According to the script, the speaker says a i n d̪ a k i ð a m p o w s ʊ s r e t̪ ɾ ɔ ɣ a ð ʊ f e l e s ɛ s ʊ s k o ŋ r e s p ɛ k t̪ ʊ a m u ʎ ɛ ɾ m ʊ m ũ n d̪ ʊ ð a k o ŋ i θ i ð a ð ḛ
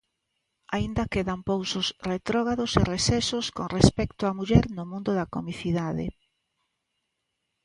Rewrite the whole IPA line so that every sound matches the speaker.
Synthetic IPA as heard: a i n d̪ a k e ð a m p o w s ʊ s r e t̪ ɾ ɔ ɣ a ð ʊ s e r e s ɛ s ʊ s k o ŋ r e s p ɛ k t̪ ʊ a m u ʎ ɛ ɾ n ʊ m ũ n d̪ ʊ ð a k o m i θ i ð a ð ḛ